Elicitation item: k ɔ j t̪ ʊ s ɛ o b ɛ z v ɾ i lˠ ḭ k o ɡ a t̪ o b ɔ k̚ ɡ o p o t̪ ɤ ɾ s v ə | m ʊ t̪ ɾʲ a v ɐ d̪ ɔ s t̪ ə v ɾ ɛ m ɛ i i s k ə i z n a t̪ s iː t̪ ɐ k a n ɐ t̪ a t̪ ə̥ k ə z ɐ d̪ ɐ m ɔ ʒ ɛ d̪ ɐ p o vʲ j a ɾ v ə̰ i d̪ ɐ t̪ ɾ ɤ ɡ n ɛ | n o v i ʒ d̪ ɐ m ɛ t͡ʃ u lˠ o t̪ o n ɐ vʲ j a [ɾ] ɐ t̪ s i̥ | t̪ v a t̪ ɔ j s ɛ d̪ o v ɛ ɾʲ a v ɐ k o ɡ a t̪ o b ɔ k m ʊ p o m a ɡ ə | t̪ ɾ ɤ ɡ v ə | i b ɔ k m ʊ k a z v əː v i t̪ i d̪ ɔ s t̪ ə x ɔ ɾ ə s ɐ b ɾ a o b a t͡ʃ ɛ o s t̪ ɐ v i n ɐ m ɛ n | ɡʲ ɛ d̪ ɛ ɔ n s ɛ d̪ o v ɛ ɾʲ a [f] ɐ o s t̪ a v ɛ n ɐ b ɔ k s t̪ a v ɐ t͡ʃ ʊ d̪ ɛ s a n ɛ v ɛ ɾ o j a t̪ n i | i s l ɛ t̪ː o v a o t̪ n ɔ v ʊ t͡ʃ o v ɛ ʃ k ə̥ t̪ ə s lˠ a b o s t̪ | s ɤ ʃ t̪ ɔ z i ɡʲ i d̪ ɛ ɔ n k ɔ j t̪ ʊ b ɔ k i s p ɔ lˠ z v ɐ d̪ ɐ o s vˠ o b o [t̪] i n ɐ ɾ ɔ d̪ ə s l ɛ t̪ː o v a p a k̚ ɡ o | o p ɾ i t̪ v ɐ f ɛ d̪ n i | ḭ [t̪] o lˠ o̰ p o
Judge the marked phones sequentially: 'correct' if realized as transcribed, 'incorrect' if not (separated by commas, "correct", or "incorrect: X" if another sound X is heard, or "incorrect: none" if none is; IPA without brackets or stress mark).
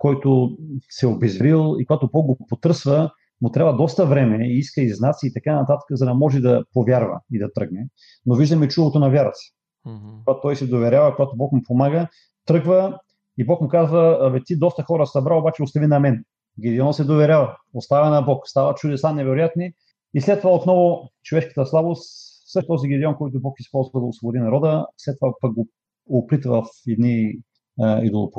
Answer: correct, incorrect: v, incorrect: d̪, incorrect: d̪